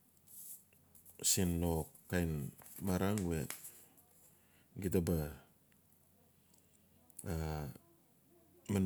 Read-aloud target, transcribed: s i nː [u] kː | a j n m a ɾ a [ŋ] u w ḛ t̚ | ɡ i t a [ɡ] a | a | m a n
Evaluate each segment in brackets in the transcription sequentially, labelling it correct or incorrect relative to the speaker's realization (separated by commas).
incorrect, correct, incorrect